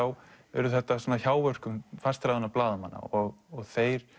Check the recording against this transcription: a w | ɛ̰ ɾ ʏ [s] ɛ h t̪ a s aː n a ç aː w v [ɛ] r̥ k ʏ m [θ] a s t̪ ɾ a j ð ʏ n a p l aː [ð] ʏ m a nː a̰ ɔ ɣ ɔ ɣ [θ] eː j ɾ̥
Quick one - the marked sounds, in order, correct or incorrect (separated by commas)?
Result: incorrect, incorrect, incorrect, correct, correct